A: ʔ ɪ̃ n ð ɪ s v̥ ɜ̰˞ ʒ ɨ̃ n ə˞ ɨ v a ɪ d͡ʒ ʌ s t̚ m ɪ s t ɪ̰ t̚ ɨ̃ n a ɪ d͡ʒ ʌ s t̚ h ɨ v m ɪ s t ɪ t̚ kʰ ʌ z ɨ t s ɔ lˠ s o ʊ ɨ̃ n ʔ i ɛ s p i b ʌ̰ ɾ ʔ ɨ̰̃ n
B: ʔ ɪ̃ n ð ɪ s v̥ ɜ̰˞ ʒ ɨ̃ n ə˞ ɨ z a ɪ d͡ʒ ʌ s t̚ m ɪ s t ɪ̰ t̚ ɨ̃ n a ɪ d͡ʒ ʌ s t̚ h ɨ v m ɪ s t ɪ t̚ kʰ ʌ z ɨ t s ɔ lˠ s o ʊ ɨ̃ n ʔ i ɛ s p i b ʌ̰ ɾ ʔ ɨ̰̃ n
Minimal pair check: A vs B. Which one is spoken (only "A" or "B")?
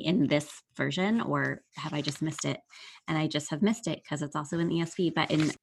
A